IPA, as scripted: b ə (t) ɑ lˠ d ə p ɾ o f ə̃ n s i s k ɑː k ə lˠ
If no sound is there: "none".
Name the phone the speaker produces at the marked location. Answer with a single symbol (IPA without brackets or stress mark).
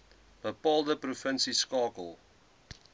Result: p